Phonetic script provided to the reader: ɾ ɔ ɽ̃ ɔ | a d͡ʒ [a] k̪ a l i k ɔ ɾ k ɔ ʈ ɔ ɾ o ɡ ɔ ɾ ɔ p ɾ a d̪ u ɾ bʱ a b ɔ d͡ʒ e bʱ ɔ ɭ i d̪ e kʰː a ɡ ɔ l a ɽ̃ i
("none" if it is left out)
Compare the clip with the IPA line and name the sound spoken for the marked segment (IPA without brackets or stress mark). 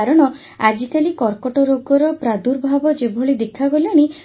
i